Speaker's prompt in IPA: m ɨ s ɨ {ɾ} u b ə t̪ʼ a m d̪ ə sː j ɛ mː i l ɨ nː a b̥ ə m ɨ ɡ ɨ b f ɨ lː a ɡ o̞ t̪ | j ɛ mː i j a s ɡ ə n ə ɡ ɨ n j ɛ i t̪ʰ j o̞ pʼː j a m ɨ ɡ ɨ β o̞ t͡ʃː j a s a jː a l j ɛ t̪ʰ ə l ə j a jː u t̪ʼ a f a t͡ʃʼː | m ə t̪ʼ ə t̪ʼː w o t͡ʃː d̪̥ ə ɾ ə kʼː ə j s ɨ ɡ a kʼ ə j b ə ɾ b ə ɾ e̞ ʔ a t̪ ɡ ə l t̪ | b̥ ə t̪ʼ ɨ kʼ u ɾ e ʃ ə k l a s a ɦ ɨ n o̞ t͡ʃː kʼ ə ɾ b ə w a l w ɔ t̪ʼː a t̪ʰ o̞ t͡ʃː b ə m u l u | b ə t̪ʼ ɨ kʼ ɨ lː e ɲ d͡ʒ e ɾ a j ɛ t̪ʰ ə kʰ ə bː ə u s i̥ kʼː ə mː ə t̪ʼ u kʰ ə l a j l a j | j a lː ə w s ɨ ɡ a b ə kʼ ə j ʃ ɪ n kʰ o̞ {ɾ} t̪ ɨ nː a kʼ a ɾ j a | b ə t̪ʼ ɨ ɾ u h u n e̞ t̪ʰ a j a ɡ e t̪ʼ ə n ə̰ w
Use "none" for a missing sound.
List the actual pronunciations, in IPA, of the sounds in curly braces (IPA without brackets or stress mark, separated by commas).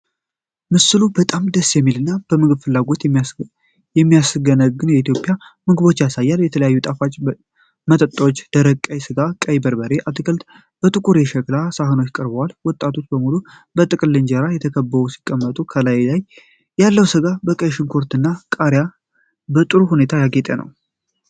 l, ɾ